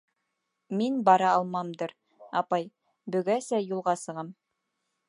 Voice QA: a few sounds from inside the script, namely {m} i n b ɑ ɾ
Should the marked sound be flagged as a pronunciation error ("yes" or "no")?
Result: no